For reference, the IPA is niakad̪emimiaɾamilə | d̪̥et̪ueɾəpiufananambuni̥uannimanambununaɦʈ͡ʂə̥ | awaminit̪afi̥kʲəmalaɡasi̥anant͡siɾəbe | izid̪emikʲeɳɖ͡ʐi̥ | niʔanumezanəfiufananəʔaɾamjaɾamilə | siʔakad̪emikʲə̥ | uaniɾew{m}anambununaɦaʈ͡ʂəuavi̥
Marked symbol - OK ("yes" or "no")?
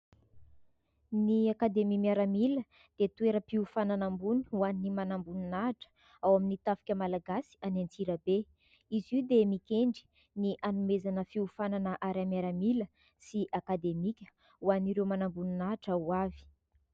yes